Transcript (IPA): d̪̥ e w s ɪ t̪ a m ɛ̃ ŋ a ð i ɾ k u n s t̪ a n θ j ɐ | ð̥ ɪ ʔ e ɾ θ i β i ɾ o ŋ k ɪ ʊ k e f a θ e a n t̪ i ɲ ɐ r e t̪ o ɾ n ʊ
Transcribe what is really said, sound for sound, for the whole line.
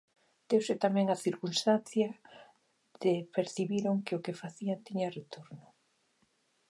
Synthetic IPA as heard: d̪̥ e w s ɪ t̪ a m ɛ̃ ŋ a θ i ɾ k u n s t̪ a n θ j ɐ | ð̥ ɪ p e ɾ θ i β i ɾ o ŋ k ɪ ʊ k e f a θ i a n t̪ i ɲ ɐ r e t̪ o ɾ n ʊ